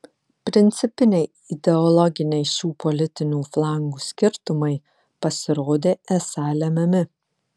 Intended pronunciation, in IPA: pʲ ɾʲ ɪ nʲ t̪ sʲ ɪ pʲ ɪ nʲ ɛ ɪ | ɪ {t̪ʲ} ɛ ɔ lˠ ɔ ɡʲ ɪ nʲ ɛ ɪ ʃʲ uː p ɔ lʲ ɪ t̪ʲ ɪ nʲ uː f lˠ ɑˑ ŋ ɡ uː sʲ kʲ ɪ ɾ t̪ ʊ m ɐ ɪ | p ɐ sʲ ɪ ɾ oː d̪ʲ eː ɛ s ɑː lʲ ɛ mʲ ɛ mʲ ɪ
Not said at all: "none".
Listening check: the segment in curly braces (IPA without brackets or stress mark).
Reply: d̪ʲ